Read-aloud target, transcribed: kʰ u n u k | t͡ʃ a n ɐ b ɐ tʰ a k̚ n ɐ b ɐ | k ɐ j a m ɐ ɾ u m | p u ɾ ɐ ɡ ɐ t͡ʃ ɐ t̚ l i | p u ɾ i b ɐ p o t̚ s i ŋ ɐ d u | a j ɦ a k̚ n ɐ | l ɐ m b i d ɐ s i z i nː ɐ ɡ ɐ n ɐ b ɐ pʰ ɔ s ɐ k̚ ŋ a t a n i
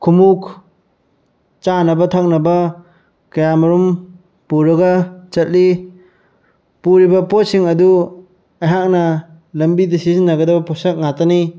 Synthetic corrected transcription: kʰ u m u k | t͡ʃ a n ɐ b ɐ tʰ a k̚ n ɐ b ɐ | k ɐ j a m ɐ ɾ u m | p u ɾ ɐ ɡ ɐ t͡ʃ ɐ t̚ l i | p u ɾ i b ɐ p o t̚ s i ŋ ɐ d u | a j ɦ a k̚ n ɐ | l ɐ m b i d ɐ s i z i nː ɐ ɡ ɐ d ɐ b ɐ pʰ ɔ s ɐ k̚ ŋ a t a n i